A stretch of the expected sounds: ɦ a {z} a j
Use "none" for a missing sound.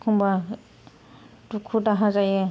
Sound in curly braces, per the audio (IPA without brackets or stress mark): z